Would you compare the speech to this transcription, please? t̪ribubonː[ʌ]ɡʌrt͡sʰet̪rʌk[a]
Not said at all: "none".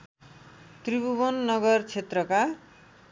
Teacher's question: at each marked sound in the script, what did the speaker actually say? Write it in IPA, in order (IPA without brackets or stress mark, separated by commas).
ʌ, a